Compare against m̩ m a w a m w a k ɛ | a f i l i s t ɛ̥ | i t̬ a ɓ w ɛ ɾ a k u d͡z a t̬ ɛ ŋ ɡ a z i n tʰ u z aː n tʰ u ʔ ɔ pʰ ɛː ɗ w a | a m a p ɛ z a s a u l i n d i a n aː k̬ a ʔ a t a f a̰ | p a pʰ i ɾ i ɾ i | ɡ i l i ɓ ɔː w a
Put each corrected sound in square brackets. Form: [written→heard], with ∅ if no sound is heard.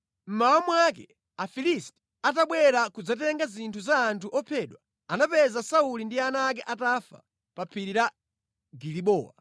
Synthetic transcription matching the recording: m̩ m a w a m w a k ɛ | a f i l i s t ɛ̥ | [i→a] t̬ a ɓ w ɛ ɾ a k u d͡z a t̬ ɛ ŋ ɡ a z i n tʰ u z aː n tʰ u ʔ ɔ pʰ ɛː ɗ w a | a [m→n] a p ɛ z a s a u l i n d i a n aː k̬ [a→ɛ] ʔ a t a f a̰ | p a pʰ i ɾ i ɾ [i→a] | ɡ i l i ɓ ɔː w a